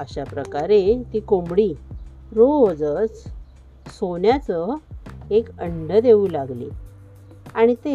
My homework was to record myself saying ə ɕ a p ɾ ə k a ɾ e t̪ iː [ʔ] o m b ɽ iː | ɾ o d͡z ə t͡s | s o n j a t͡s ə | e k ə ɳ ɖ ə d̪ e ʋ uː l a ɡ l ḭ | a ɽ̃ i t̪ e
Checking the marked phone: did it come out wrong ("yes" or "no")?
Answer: yes